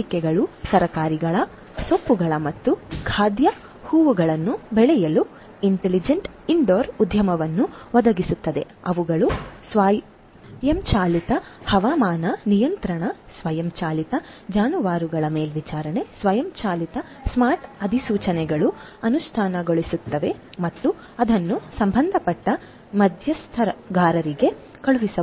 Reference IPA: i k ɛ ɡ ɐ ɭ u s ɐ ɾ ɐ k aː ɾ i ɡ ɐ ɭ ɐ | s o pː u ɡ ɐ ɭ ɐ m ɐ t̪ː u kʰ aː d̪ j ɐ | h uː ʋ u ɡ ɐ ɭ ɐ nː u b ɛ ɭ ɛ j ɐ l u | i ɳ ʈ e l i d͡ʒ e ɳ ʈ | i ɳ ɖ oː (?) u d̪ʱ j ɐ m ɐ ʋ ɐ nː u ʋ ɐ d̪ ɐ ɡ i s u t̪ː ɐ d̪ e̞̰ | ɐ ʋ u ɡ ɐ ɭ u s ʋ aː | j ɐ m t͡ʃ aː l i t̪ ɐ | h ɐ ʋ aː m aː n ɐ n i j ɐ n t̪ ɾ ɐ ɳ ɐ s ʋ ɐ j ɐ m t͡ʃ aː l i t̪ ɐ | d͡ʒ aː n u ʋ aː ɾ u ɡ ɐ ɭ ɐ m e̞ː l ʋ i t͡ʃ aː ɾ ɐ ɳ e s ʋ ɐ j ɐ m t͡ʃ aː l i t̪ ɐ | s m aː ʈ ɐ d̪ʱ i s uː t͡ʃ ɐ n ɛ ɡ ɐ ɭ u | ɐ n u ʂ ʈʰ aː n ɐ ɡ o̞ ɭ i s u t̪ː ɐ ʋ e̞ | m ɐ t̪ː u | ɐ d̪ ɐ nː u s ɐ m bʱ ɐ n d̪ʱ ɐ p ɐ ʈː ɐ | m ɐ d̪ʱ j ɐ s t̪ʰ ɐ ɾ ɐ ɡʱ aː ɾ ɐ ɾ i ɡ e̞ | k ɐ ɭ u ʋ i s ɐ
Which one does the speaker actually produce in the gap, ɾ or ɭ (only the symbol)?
ɾ